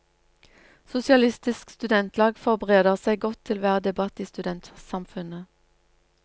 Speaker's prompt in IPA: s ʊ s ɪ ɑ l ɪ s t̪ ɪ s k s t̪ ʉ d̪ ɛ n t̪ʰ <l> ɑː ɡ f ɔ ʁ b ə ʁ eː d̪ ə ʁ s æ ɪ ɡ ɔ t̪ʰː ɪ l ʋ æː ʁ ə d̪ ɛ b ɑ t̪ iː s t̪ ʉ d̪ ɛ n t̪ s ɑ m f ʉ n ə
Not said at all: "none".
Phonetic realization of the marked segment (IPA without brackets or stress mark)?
l